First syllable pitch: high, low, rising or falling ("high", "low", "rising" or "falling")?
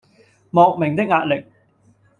low